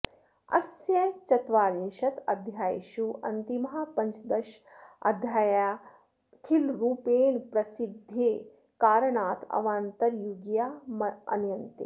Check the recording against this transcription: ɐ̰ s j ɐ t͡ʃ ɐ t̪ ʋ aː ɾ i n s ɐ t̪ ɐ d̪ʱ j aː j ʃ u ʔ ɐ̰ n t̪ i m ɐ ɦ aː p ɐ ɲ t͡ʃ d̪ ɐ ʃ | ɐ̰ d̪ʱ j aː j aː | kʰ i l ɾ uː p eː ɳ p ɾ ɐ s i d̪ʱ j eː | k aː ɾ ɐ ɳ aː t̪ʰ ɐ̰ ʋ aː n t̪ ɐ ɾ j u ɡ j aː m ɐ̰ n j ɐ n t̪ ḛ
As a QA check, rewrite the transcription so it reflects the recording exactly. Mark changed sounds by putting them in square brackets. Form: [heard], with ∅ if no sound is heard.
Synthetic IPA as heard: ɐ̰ s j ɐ t͡ʃ ɐ t̪ ʋ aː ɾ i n [ʃ] ɐ t̪ ɐ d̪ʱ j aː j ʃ u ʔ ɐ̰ n t̪ i m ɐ ɦ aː p ɐ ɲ t͡ʃ d̪ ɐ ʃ | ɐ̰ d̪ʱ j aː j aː | kʰ i l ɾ uː p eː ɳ p ɾ ɐ s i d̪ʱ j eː | k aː ɾ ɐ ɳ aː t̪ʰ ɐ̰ ʋ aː n t̪ ɐ ɾ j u ɡ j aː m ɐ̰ n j ɐ n t̪ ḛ